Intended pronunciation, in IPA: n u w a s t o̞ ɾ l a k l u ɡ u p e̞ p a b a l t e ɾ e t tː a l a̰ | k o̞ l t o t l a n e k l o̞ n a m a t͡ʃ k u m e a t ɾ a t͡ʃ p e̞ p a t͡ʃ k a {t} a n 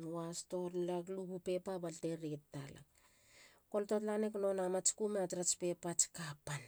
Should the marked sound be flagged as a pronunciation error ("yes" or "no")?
yes